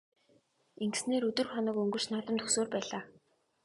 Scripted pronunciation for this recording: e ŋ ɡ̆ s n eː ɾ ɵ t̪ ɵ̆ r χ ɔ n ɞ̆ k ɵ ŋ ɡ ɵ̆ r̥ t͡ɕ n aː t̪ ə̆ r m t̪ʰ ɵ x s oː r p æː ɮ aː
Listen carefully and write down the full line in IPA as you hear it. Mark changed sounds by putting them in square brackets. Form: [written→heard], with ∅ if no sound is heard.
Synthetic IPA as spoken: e ŋ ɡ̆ s n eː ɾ ɵ t̪ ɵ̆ r χ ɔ n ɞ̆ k ɵ ŋ ɡ ɵ̆ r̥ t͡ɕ n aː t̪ ə̆ [r→∅] m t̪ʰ ɵ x s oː r p æː ɮ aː